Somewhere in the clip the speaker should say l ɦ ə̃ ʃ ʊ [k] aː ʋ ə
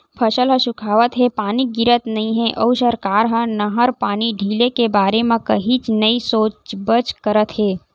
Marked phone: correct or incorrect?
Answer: incorrect: kʰ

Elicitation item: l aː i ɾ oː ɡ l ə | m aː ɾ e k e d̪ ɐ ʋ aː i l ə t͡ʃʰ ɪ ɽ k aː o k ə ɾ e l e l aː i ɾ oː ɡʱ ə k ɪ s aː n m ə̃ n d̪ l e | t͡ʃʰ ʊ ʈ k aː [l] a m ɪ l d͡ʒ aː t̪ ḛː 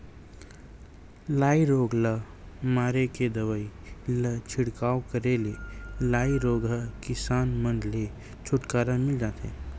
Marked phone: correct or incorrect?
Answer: incorrect: ɾ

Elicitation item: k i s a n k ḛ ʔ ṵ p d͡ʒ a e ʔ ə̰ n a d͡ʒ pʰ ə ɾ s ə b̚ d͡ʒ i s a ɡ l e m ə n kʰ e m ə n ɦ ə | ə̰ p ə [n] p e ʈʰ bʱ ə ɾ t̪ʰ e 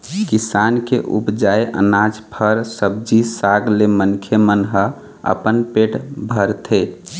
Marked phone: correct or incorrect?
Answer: correct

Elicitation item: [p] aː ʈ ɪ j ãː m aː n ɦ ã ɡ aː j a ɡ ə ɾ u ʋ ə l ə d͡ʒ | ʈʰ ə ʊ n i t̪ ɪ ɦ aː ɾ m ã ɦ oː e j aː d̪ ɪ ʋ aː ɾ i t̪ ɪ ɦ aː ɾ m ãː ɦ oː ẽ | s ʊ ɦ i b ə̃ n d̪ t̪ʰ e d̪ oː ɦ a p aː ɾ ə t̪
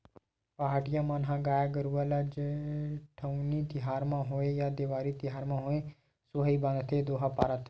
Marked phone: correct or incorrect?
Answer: correct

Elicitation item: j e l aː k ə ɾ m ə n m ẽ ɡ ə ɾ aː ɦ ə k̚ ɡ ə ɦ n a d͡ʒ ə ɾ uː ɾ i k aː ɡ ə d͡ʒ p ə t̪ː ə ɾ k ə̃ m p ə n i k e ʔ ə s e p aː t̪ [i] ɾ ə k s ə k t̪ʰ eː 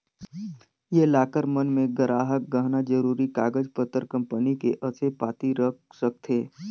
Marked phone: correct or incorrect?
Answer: correct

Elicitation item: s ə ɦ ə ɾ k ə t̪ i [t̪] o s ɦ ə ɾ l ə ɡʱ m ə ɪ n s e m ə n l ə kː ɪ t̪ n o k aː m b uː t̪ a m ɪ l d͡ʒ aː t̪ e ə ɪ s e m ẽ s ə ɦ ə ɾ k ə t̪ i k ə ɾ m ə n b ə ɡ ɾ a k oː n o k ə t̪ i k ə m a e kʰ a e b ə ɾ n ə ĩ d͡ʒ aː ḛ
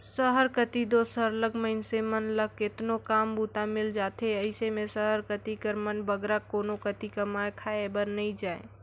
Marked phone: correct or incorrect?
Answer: incorrect: d̪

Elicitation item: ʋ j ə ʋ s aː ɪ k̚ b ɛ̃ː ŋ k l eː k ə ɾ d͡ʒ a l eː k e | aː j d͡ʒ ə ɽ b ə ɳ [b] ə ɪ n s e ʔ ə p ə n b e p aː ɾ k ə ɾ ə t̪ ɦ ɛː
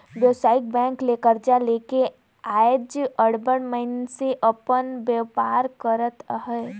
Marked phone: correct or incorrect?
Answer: incorrect: m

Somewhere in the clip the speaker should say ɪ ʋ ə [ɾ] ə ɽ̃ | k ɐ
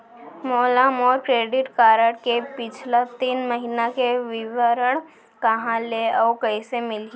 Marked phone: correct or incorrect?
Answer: correct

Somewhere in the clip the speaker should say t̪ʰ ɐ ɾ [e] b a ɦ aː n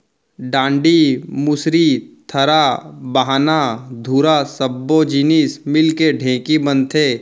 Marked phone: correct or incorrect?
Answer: incorrect: a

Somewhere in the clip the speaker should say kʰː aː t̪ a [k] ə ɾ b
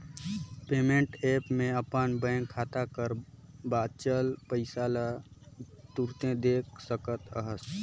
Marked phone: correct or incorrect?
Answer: correct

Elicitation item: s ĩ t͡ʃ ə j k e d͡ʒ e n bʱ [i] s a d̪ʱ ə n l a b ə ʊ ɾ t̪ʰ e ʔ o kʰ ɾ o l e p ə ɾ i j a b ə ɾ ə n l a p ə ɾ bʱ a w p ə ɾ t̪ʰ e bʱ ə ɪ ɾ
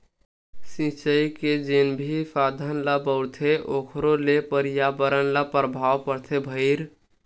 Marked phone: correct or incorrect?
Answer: correct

